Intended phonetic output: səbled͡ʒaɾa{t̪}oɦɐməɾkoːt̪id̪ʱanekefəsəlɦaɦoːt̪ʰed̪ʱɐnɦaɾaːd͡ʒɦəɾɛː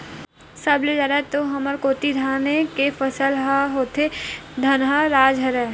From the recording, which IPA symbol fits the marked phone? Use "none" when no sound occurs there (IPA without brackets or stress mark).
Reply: t̪